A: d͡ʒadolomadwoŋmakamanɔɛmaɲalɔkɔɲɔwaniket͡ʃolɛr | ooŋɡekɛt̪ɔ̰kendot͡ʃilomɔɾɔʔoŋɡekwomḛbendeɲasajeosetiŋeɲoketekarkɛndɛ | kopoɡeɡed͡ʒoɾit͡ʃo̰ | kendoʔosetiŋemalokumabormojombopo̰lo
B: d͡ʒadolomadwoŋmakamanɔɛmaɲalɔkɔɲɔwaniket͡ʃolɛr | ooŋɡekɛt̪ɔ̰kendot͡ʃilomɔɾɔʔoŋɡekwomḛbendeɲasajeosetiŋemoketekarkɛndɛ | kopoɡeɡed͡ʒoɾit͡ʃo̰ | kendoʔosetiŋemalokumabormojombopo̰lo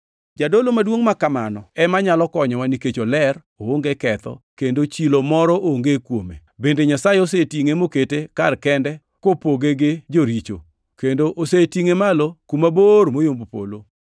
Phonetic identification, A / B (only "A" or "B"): B